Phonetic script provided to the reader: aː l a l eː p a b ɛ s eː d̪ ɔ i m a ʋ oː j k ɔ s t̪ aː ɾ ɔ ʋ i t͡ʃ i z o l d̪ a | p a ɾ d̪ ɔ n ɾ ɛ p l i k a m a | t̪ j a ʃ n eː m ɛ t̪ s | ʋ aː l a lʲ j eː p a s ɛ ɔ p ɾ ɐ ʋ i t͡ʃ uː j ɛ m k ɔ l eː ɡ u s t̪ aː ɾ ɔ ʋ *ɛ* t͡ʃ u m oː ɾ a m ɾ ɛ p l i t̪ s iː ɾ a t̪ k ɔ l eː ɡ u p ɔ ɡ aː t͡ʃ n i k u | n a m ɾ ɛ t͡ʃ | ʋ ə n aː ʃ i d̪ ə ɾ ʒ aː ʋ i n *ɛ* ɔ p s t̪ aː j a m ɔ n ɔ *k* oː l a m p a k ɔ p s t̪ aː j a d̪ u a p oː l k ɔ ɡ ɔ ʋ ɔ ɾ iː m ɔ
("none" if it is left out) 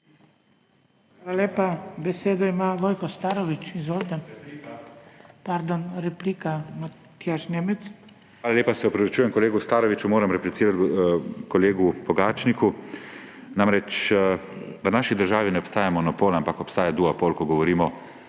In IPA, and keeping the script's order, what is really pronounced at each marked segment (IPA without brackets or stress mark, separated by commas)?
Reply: i, ɛ, p